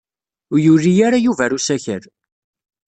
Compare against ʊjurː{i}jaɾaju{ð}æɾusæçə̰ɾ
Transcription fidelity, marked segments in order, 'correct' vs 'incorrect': correct, incorrect

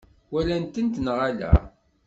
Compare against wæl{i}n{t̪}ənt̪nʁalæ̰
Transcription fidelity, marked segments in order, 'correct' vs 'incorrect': incorrect, correct

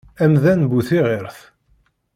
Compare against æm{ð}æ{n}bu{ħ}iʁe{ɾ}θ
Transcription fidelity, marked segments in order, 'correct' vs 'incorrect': correct, correct, incorrect, correct

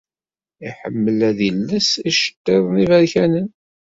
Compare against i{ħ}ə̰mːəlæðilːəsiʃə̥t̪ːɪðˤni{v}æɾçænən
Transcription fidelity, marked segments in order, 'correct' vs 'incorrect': correct, correct

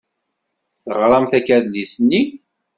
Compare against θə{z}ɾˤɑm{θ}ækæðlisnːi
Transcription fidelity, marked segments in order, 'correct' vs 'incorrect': incorrect, correct

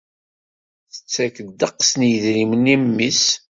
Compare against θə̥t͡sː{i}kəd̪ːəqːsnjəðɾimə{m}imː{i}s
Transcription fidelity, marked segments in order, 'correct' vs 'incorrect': incorrect, incorrect, correct

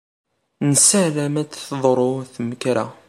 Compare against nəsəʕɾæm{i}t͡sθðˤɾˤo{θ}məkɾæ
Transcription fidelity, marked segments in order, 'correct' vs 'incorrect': incorrect, correct

